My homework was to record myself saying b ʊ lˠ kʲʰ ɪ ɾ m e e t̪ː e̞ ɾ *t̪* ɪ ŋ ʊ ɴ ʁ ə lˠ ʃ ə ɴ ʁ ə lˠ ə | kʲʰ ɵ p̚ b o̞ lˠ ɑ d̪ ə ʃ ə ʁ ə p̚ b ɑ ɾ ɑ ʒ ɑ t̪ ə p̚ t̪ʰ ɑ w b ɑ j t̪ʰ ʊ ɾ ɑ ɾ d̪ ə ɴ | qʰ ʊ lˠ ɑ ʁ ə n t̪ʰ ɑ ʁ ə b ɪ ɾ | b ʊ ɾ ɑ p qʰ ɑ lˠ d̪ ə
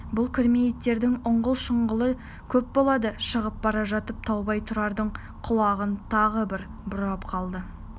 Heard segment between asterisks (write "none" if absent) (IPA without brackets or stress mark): d̪